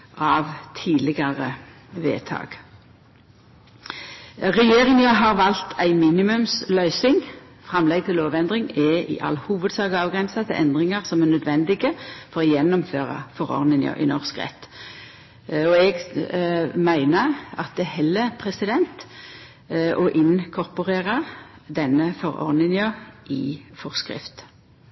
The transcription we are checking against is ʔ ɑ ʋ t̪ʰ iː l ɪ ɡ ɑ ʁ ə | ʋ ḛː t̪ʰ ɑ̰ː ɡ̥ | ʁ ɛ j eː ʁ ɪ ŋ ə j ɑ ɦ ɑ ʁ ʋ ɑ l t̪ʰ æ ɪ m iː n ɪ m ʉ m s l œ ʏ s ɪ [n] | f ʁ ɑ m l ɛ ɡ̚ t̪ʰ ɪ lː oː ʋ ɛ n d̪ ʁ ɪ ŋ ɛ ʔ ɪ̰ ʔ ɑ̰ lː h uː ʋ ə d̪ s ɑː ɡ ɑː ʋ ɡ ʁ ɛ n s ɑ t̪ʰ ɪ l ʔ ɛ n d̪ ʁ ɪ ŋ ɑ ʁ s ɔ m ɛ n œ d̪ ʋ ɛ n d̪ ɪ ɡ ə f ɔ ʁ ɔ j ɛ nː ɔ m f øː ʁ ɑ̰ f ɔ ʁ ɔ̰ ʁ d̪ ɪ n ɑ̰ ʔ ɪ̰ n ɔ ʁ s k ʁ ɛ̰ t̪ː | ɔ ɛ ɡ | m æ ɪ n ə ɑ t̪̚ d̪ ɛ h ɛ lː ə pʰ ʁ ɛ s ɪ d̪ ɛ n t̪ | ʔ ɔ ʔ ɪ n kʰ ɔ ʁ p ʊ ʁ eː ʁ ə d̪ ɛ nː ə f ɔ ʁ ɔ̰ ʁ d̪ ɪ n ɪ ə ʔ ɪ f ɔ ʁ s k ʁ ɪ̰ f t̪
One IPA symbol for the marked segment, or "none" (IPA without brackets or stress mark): ŋ